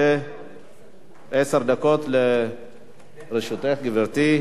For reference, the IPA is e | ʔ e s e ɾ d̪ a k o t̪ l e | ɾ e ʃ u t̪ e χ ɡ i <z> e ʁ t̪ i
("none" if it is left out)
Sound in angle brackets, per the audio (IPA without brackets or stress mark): v